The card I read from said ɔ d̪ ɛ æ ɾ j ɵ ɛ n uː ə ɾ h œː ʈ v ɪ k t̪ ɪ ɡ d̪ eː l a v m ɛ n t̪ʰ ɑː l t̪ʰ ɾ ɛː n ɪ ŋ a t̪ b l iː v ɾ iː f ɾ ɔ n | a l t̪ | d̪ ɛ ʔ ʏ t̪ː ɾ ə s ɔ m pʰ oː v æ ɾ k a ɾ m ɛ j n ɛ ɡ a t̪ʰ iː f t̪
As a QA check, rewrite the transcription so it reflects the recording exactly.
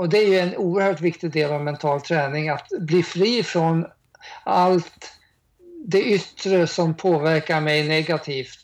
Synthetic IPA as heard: ɔ d̪ ɛ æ ɾ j ɵ ɛ n uː ə ɾ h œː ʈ v ɪ k t̪ ɪ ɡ d̪ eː l a v m ɛ n t̪ʰ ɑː l t̪ʰ ɾ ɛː n ɪ ŋ a t̪ b l iː f ɾ iː f ɾ ɔ n | a l t̪ | d̪ ɛ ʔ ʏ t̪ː ɾ ə s ɔ m pʰ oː v æ ɾ k a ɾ m ɛ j n ɛ ɡ a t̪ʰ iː f t̪